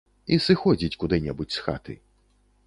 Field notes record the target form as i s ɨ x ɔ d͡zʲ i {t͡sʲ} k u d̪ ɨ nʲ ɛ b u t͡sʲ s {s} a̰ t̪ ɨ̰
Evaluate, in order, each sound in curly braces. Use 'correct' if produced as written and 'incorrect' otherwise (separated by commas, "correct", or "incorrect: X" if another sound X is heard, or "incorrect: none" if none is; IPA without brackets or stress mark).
correct, incorrect: x